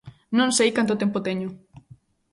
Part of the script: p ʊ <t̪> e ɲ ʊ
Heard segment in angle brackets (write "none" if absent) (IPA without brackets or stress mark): t̪